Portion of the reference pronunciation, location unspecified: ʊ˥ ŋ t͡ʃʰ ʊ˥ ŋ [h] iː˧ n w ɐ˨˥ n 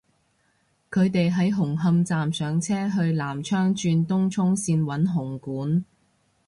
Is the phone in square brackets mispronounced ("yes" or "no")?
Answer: yes